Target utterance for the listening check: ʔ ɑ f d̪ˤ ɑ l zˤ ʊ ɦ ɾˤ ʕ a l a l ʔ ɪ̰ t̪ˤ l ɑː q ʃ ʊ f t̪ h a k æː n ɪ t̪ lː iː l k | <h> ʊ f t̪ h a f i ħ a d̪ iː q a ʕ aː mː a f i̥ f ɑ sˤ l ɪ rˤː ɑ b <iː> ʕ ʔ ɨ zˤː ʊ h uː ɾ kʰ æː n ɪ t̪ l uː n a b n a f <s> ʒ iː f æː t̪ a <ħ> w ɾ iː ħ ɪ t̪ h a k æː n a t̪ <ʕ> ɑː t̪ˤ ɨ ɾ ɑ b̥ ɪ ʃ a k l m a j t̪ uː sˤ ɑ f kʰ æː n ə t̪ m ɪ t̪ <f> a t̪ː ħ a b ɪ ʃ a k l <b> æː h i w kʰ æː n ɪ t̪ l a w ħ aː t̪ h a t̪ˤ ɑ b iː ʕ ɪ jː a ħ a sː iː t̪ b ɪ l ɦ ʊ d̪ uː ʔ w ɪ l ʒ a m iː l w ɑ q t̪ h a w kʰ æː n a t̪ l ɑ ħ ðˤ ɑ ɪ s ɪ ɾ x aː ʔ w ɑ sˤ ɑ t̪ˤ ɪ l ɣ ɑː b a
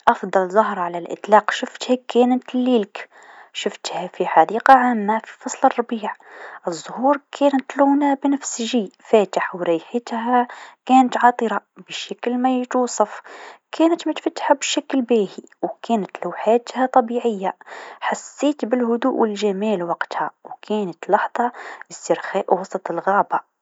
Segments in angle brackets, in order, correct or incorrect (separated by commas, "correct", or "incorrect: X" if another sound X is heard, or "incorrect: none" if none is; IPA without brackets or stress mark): incorrect: ʃ, correct, correct, correct, correct, correct, correct